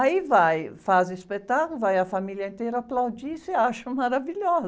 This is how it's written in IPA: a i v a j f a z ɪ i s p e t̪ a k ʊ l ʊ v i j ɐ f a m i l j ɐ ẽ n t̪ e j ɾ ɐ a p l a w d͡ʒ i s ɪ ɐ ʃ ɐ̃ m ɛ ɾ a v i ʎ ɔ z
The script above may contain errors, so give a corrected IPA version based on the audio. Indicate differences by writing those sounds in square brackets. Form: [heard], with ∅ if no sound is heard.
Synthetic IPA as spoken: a i v a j f a z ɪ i s p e t̪ a k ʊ l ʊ v [a] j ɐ f a m i l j ɐ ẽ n t̪ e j ɾ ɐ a p l a w d͡ʒ i s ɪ [a] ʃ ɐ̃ m [a] ɾ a v i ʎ ɔ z